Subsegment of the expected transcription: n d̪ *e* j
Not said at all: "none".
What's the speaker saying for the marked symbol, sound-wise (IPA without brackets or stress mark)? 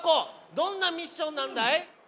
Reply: a